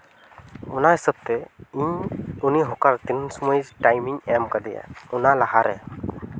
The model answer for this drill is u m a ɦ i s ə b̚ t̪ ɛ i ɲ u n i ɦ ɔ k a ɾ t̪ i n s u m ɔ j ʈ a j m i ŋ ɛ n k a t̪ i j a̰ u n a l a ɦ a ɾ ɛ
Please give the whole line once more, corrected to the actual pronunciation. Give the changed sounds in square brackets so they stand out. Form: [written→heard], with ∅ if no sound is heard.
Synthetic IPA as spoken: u [m→n] a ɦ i s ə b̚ t̪ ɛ i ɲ u n i ɦ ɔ k a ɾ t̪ i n s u m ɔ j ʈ a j m i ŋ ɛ [n→m] k a [t̪→d̪] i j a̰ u n a l a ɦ a ɾ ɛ